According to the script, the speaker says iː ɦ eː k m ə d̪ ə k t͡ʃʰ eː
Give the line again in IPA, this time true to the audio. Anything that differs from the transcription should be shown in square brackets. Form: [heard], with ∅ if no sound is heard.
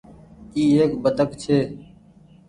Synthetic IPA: iː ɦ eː k [b] ə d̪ ə k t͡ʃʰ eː